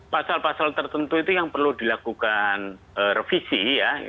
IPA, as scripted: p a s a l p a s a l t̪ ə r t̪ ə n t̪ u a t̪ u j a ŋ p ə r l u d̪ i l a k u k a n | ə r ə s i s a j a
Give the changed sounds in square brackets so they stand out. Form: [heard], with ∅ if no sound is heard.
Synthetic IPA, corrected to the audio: p a s a l p a s a l t̪ ə r t̪ ə n t̪ u [i] t̪ u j a ŋ p ə r l u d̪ i l a k u k a n | ə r ə [f] i s [i] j a